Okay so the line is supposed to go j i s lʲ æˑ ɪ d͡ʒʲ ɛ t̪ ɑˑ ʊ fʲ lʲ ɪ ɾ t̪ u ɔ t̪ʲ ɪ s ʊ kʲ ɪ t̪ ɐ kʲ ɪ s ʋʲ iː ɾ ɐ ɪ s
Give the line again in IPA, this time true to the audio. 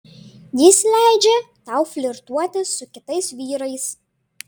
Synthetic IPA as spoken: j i s lʲ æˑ ɪ d͡ʒʲ ɛ t̪ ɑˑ ʊ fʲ lʲ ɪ ɾ t̪ u ɔ t̪ʲ ɪ s ʊ kʲ ɪ t̪ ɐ ɪ s ʋʲ iː ɾ ɐ ɪ s